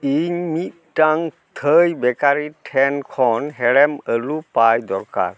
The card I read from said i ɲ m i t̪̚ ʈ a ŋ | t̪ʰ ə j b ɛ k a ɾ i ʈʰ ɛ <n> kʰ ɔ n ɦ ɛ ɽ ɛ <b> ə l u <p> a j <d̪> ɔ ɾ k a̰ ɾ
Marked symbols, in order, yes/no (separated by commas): yes, no, yes, yes